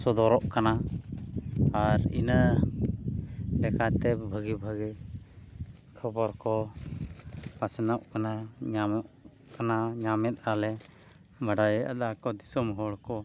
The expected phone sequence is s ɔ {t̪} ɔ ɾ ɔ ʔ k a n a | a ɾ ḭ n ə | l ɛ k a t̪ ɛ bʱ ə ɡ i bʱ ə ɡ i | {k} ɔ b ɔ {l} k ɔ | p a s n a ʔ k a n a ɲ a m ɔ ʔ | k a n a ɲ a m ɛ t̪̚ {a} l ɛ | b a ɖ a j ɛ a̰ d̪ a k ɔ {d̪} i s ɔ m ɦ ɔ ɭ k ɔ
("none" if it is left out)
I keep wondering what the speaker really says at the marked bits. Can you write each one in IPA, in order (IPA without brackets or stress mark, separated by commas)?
d̪, kʰ, ɾ, a, d̪